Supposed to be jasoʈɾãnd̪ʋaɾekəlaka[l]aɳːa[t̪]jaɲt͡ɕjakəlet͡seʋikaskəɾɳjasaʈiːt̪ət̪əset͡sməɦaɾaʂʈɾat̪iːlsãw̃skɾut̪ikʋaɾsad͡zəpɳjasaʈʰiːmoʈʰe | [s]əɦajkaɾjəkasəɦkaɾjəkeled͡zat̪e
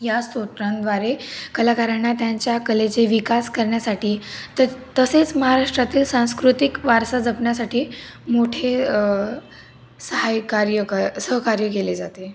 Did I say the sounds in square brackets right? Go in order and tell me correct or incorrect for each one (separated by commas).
incorrect, correct, correct